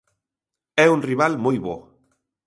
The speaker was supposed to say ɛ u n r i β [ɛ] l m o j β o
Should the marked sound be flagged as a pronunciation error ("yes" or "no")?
yes